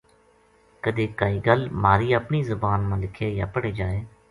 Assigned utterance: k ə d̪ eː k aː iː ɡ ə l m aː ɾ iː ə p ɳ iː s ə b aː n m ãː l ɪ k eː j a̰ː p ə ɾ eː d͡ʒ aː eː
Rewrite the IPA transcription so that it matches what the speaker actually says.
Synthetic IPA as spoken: k ə d̪ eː k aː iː ɡ ə l m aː ɾ iː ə p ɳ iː z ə b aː n m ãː l ɪ kʰ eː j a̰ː p ə ɽ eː d͡ʒ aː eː